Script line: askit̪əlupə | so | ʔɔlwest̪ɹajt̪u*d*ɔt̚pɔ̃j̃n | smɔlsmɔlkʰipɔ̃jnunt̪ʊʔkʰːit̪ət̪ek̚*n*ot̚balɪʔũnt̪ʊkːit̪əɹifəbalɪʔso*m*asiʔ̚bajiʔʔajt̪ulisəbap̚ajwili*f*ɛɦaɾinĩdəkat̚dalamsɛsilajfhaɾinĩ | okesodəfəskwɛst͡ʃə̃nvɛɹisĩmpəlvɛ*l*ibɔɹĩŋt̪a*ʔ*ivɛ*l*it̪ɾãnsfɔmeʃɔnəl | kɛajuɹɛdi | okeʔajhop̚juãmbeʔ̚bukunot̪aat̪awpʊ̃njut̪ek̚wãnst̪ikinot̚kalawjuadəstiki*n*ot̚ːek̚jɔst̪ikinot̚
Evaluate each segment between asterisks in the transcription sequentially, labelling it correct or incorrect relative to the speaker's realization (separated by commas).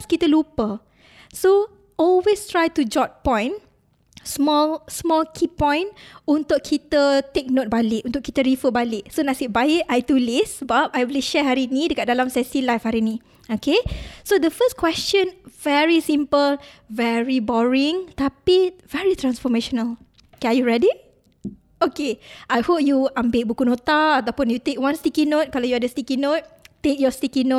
incorrect, correct, incorrect, incorrect, incorrect, incorrect, incorrect, correct